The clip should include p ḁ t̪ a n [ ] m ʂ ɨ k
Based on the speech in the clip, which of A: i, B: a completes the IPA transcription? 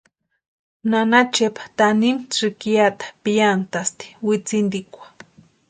A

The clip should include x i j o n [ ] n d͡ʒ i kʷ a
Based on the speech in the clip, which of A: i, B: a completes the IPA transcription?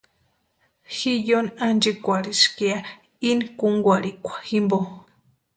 B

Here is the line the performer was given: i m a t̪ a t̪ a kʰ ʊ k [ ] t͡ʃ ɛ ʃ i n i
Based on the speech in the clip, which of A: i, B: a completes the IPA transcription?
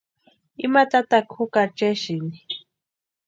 B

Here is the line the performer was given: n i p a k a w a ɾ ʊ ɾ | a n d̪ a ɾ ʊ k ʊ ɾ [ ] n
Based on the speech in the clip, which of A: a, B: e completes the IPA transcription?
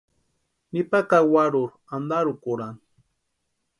A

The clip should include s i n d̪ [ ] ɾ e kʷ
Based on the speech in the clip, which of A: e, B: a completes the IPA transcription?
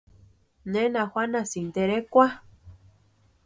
A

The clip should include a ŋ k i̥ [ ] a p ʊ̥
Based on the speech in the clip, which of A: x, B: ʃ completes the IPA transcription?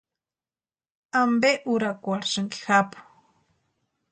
A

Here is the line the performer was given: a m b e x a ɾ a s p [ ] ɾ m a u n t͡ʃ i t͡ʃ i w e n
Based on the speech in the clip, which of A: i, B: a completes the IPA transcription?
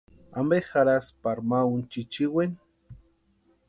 B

